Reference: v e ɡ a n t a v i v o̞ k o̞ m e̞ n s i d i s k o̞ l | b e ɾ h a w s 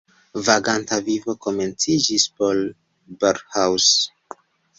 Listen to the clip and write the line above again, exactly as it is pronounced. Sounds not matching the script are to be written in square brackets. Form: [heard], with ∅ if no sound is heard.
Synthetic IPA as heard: v [a] ɡ a n t a v i v o̞ k o̞ m e̞ n [t͡s] i [d͡ʒ] i s [p] o̞ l | b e ɾ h a w s